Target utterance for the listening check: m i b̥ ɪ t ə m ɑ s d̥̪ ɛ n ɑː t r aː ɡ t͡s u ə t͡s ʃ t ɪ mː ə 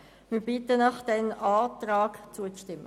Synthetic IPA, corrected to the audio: m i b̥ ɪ t ə n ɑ χ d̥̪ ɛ n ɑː t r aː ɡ t͡s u ə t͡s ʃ t ɪ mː ə